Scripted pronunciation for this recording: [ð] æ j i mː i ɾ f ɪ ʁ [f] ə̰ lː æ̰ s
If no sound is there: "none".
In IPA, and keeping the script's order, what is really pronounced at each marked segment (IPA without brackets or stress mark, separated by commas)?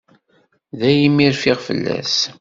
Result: ð, f